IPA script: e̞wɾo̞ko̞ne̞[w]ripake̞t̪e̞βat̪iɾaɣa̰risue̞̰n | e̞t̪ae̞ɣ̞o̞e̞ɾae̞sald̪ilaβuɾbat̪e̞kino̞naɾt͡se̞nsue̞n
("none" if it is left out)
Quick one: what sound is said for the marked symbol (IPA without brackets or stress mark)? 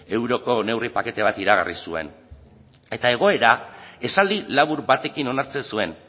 w